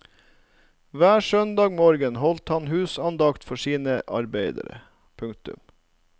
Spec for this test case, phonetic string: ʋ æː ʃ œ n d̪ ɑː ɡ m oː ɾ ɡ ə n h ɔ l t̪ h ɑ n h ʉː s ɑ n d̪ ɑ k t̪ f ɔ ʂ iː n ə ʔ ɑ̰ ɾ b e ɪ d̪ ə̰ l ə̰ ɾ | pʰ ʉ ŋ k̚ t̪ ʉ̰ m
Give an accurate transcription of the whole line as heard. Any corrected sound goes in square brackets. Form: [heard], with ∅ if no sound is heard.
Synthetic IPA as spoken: ʋ æː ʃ œ n d̪ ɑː ɡ m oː ɾ ɡ ə n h ɔ l t̪ h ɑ n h ʉː s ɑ n d̪ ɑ k t̪ f ɔ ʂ iː n ə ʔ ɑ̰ ɾ b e ɪ d̪ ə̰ [ɾ] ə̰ [∅] | pʰ ʉ ŋ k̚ t̪ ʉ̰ m